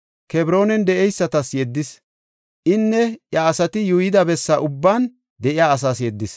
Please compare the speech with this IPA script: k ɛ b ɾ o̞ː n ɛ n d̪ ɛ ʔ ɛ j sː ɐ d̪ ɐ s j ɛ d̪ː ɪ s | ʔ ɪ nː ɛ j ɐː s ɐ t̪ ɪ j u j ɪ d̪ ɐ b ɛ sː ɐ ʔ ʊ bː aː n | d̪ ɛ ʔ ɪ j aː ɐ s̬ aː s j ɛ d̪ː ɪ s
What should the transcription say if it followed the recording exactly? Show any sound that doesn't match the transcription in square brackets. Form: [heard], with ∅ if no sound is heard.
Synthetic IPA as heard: k ɛ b ɾ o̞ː n ɛ n d̪ ɛ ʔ ɛ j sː ɐ [t̪] ɐ s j ɛ d̪ː ɪ s | ʔ ɪ nː ɛ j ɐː s ɐ t̪ ɪ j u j ɪ d̪ ɐ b ɛ sː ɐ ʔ ʊ bː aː n | d̪ ɛ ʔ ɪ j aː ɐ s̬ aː s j ɛ d̪ː ɪ s